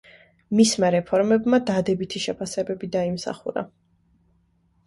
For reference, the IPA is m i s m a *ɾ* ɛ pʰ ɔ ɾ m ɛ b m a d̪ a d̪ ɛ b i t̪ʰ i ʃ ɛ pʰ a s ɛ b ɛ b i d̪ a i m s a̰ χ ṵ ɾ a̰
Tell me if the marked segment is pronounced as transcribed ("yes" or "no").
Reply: yes